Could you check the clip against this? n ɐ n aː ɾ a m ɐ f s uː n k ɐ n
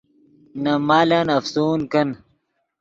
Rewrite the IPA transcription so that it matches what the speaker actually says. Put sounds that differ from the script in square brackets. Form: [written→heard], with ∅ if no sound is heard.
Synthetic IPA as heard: n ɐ [n→m] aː [ɾ→l] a [m→n] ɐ f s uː n k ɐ n